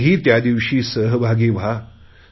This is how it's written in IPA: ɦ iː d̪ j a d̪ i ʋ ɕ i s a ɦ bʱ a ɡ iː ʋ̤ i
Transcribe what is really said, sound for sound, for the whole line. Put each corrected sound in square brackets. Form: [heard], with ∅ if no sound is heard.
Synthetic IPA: ɦ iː [t̪] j a d̪ i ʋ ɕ [iː] s [ə] ɦ bʱ a ɡ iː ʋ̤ [a]